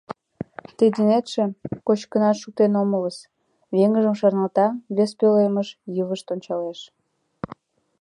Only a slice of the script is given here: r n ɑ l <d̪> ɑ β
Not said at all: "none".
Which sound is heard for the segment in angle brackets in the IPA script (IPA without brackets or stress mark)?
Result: t̪